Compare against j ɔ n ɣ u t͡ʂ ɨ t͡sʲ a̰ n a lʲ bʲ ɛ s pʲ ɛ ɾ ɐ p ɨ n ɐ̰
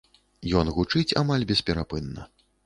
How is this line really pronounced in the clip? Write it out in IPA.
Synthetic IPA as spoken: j ɔ n ɣ u t͡ʂ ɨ t͡sʲ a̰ m a lʲ bʲ ɛ s pʲ ɛ ɾ a p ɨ nː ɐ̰